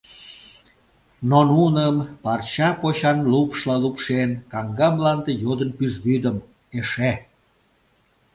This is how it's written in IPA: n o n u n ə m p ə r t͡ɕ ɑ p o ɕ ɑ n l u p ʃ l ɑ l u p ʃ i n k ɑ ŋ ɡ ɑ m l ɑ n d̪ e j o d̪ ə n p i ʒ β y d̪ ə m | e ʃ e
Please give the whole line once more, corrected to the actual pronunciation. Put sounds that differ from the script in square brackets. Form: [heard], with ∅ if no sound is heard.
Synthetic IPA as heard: n o n u n ə m p [ɑ] r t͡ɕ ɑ p o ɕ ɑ n l u p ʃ l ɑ l u p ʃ [e] n k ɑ ŋ ɡ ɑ m l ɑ n d̪ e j o d̪ ə n p [y] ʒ β y d̪ ə m | e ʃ e